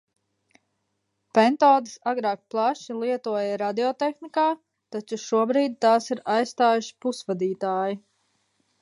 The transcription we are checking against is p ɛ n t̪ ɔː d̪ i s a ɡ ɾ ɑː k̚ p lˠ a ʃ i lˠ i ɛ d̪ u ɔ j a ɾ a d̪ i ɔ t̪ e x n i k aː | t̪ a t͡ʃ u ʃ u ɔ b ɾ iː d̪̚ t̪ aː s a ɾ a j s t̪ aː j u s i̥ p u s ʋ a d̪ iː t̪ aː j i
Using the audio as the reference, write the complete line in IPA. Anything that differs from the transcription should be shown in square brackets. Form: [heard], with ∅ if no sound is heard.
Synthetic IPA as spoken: p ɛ n t̪ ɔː d̪ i s a ɡ ɾ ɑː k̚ p lˠ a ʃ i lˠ i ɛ [t̪] u ɔ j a ɾ a d̪ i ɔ t̪ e x n i k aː | t̪ a t͡ʃ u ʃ u ɔ b ɾ iː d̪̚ t̪ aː s [i] ɾ a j s t̪ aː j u [ʃ] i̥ p u s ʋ a d̪ iː t̪ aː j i